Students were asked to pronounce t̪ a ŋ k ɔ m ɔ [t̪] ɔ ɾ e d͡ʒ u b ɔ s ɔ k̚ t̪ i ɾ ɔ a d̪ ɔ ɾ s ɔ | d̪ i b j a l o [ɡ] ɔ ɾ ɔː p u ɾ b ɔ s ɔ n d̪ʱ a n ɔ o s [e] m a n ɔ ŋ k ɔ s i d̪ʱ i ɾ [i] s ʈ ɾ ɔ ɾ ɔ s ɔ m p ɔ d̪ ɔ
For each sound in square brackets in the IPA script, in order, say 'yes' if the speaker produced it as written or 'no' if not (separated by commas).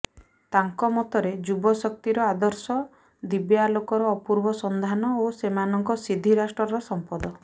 yes, no, yes, no